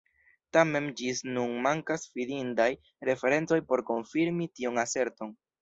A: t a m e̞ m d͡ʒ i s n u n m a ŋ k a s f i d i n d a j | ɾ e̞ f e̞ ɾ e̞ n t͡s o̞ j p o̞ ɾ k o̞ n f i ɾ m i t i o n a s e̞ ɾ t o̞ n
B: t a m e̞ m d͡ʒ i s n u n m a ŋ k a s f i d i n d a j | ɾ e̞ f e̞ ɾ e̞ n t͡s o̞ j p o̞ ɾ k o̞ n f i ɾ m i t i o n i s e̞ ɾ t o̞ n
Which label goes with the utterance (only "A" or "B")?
A